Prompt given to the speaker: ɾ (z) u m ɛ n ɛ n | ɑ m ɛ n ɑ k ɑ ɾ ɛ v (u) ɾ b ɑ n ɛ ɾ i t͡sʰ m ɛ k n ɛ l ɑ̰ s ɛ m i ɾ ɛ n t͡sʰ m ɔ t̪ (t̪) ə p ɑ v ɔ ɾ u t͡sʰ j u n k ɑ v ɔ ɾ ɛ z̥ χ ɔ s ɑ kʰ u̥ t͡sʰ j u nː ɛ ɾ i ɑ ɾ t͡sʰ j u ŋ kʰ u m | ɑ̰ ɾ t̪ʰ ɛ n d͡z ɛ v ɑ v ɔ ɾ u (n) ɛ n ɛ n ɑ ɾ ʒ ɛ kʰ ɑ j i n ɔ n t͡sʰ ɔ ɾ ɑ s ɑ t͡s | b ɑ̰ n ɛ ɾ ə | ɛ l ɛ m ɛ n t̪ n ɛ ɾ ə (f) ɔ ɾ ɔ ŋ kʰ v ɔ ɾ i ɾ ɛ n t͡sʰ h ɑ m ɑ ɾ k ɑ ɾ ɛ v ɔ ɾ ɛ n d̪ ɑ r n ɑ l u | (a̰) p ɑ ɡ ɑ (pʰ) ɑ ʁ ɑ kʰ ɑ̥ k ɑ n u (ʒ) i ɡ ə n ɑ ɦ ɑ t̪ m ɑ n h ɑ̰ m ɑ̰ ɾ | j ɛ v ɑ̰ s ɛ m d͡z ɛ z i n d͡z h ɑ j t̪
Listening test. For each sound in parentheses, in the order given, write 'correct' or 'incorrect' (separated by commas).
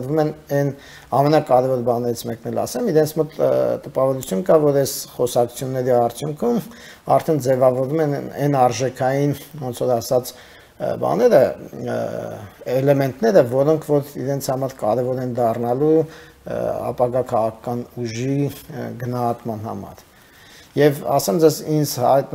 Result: incorrect, incorrect, correct, incorrect, incorrect, incorrect, incorrect, correct